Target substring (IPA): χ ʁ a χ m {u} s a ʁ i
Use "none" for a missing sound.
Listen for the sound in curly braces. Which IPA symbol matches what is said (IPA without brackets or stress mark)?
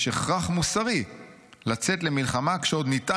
u